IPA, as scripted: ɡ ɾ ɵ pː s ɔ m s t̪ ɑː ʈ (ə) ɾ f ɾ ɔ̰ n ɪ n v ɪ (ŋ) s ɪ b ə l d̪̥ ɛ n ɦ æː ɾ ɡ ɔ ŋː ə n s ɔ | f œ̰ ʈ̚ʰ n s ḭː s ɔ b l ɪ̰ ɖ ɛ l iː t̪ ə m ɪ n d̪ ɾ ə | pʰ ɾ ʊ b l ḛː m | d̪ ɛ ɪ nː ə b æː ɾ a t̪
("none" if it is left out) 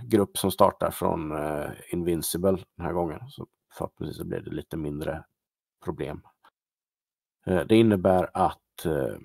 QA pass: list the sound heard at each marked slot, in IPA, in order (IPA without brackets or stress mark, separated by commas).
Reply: a, n